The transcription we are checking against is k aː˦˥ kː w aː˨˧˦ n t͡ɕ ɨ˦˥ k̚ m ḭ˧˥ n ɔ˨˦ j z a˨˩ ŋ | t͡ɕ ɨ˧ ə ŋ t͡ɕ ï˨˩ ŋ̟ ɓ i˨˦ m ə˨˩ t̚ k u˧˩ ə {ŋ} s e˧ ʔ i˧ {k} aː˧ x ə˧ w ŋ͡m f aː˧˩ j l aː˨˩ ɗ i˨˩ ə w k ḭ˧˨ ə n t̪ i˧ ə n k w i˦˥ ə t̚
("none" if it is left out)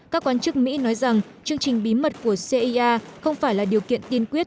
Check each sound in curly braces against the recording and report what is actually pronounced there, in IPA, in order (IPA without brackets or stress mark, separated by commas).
none, ʔ